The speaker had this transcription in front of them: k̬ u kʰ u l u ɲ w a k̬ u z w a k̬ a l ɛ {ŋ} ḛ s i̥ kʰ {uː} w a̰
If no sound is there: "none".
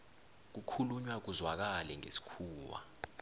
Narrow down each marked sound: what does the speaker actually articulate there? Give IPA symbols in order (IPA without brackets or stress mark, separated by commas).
ŋ, uː